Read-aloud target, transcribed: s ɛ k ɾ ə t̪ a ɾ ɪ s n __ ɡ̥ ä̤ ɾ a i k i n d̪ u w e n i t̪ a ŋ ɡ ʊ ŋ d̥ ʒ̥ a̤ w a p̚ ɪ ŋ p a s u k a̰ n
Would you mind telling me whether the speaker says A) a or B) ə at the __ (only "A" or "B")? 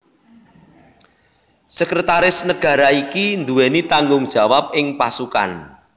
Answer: B